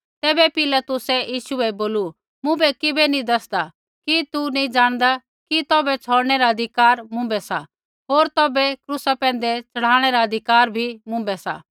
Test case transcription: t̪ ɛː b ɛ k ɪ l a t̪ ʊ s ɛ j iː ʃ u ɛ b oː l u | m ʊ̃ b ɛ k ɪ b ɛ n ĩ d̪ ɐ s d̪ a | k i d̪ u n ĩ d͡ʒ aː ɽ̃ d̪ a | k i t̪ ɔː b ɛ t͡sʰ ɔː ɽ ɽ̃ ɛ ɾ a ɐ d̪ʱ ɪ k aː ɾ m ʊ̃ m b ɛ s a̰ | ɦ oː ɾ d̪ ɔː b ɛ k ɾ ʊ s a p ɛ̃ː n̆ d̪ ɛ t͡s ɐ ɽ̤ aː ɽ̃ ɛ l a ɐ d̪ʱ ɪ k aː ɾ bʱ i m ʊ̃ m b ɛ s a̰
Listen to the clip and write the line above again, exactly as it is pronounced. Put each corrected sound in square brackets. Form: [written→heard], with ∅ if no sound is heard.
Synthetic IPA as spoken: t̪ ɛː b ɛ [k→p] ɪ l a t̪ ʊ s ɛ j iː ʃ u ɛ b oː l u | m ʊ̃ b ɛ k ɪ b ɛ n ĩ d̪ ɐ s d̪ a | k i [d̪→t̪] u n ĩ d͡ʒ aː ɽ̃ d̪ a | k i t̪ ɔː b ɛ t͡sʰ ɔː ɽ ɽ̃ ɛ ɾ a ɐ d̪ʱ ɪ k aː ɾ m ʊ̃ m b ɛ s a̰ | ɦ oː ɾ [d̪→t̪] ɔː b ɛ k ɾ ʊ s a p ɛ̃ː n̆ d̪ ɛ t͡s ɐ ɽ̤ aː ɽ̃ ɛ [l→ɾ] a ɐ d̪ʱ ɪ k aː ɾ bʱ i m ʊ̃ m b ɛ s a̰